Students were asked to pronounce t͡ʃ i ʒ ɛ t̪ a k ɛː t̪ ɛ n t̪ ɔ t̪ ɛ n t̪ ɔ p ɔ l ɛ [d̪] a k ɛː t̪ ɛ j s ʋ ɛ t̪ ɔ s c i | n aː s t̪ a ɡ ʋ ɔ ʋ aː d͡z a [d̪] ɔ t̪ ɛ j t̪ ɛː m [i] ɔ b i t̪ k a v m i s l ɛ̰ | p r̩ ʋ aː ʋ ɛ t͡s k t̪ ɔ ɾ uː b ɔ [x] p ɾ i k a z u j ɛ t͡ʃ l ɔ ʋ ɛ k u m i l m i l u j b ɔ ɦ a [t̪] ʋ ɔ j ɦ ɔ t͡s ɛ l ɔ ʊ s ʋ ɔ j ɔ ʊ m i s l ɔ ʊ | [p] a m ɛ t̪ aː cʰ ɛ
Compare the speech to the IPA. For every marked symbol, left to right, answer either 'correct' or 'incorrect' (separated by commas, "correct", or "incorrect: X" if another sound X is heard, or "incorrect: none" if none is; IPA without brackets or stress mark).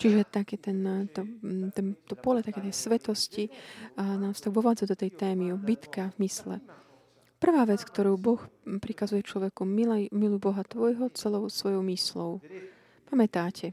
incorrect: t̪, correct, correct, correct, correct, correct